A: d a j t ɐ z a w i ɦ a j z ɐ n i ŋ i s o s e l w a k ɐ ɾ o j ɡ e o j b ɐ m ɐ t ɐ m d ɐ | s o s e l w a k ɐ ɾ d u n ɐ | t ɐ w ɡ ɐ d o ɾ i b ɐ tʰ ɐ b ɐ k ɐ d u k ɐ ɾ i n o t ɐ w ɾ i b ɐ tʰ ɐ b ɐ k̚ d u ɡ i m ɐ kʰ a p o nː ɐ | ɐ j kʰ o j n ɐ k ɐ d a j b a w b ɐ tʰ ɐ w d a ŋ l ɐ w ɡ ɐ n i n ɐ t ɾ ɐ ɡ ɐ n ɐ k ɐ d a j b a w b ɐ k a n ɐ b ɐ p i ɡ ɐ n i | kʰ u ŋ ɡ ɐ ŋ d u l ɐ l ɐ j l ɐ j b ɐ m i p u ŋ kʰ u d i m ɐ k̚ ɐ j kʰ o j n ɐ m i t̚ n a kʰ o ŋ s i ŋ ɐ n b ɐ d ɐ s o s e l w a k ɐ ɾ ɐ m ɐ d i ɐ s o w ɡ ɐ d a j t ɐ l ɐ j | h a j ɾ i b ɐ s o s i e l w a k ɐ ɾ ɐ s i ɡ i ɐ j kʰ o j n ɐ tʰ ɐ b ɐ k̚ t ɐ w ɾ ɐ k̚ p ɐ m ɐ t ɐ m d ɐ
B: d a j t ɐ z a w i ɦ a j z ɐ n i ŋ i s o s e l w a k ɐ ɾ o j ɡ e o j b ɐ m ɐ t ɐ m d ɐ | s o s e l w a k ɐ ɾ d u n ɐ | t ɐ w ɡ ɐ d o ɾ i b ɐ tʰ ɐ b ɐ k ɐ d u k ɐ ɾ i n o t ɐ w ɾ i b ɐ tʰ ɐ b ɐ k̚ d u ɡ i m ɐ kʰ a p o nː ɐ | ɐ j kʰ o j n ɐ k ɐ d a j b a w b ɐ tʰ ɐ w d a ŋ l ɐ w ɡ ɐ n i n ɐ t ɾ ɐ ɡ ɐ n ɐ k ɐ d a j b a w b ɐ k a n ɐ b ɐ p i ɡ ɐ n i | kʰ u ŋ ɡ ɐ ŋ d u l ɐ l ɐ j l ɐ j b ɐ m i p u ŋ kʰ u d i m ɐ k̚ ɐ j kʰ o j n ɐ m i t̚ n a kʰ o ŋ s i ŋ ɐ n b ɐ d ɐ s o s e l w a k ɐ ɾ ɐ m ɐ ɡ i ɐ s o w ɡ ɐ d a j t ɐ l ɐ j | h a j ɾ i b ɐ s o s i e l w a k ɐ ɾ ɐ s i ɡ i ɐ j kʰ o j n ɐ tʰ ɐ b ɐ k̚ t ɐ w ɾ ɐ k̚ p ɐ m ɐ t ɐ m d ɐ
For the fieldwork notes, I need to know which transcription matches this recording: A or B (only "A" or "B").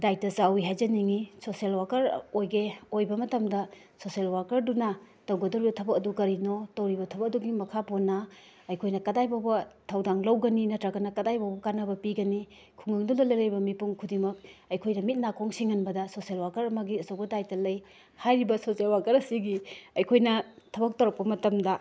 B